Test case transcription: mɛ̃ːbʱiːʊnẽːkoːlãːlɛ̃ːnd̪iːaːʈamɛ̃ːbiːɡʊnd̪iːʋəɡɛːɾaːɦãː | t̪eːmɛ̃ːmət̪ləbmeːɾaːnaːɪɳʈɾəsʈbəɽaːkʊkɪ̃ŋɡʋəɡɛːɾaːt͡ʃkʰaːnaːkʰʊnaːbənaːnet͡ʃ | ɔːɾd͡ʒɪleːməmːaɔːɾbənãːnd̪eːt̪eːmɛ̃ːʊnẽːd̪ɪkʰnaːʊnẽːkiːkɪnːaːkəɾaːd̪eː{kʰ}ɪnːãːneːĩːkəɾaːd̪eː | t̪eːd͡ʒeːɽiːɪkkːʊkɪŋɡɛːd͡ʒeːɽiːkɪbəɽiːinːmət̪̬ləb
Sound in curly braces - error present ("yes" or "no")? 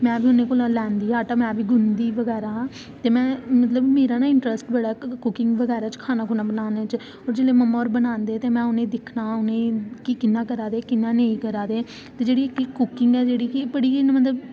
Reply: yes